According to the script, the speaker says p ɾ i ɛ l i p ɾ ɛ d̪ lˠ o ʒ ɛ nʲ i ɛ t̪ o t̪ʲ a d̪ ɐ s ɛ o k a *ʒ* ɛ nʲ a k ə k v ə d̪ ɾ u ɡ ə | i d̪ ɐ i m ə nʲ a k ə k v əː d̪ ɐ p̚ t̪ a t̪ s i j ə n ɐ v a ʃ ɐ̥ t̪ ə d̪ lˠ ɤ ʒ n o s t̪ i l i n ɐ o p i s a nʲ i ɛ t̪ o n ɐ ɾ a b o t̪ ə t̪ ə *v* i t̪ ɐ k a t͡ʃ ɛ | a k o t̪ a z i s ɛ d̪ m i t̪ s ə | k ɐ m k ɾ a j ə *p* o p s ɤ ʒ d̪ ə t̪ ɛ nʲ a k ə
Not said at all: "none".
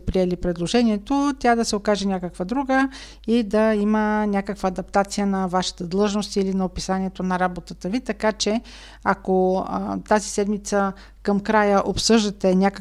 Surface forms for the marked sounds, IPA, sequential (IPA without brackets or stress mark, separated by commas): ʒ, v, ʔ